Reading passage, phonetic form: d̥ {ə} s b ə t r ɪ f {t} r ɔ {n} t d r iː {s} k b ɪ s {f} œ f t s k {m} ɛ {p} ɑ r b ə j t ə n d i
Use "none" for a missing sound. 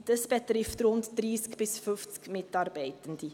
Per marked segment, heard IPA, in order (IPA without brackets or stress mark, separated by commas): ə, t, n, s, f, m, t